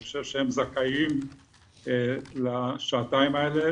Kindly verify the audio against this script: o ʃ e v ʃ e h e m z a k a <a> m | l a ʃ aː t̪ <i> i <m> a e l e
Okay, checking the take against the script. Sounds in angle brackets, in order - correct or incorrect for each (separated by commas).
incorrect, incorrect, correct